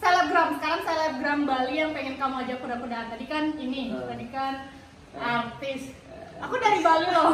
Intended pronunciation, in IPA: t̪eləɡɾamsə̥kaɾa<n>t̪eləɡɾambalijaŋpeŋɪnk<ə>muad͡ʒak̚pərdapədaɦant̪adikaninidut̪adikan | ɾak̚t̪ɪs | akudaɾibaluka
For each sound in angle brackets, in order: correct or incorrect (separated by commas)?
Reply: incorrect, incorrect